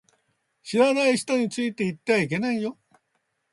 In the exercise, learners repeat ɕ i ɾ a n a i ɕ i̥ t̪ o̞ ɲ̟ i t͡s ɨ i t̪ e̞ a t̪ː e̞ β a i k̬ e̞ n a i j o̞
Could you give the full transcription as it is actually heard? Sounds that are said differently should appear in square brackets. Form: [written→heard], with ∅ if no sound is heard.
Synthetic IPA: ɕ i ɾ a n a i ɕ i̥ t̪ o̞ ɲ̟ i t͡s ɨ i t̪ e̞ [a→i] t̪ː e̞ β a i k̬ e̞ n a i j o̞